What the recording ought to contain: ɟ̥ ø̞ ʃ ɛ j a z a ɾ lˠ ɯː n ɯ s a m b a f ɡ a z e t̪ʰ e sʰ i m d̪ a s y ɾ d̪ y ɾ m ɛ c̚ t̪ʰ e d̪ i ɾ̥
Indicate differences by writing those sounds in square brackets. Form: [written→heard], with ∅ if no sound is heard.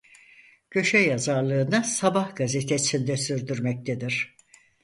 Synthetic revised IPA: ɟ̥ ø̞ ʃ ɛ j a z a ɾ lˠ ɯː n ɯ s a [m→∅] b a [f→h] ɡ a z e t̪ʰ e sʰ i [m→n] d̪ [a→ɛ] s y ɾ d̪ y ɾ m ɛ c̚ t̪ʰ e d̪ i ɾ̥